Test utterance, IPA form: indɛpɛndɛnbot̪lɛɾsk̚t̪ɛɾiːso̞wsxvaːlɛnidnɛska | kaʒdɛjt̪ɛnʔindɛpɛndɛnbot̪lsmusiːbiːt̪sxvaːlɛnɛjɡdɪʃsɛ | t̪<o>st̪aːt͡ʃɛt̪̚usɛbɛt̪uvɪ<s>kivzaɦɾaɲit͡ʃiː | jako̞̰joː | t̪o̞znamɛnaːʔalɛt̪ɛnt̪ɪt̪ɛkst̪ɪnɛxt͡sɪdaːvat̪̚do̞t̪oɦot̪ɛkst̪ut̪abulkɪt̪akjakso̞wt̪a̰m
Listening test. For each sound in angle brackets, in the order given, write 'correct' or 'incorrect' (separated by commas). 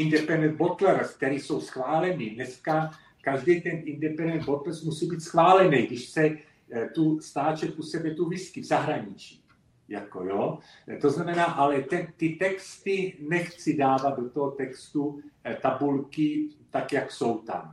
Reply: incorrect, correct